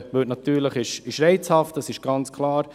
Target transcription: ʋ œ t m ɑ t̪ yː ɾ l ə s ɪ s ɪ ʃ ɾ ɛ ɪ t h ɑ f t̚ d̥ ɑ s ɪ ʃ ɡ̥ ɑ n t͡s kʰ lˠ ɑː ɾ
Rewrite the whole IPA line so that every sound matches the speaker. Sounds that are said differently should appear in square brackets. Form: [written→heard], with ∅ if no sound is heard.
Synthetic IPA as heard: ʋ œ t [m→n] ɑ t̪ yː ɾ l ə [s→χ] ɪ [s→ʃ] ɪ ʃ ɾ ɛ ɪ [t→t͡s] h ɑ f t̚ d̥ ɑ s ɪ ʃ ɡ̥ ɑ n t͡s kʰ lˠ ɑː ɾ